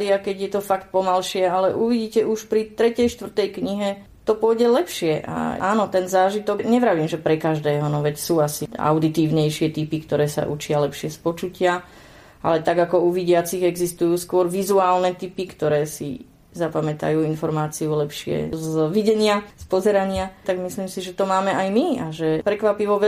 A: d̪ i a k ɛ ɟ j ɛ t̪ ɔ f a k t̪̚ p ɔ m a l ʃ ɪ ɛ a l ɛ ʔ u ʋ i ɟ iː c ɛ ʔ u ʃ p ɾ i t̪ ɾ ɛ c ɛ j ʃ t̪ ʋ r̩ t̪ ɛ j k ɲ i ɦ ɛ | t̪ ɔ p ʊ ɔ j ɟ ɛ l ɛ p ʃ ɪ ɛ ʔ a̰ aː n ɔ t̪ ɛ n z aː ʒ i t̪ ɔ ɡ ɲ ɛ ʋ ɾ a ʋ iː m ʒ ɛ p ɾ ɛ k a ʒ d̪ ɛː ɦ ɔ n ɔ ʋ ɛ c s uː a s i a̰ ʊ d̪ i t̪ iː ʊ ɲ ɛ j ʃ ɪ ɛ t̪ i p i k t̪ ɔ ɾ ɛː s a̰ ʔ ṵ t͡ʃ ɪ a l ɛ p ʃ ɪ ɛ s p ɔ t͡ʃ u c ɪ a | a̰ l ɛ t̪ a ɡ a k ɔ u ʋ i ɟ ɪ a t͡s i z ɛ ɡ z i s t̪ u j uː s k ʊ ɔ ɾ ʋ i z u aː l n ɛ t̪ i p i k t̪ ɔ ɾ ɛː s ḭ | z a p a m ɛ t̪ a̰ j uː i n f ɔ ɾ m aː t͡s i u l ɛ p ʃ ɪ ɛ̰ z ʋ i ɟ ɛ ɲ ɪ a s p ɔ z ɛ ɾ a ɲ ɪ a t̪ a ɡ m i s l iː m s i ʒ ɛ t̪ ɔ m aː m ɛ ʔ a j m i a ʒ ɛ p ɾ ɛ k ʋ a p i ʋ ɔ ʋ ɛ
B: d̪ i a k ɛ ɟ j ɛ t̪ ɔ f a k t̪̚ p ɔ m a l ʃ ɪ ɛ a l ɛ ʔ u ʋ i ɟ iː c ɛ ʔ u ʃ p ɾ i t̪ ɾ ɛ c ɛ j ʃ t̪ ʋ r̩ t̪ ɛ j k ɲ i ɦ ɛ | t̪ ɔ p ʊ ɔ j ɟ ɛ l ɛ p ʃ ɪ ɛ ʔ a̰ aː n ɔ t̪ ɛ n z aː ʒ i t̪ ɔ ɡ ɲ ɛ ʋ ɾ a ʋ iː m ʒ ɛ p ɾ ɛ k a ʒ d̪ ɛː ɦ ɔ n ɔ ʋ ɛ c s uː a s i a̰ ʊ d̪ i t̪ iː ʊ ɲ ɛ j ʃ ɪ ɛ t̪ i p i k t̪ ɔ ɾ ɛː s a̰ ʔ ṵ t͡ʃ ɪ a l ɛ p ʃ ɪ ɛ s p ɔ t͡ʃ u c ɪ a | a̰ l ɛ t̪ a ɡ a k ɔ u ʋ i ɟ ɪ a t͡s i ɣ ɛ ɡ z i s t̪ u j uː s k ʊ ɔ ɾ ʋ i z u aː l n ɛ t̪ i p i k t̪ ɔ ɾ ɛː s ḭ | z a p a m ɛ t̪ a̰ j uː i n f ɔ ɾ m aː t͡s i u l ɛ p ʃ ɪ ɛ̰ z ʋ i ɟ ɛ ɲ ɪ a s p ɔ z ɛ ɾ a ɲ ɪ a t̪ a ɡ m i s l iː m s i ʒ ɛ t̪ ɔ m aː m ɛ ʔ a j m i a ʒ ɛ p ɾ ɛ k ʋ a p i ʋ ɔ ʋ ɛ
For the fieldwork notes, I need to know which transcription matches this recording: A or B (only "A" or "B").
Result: B